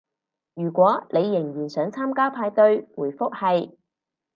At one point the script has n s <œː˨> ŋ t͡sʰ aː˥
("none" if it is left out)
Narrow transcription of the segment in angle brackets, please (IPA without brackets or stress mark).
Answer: œː˨˥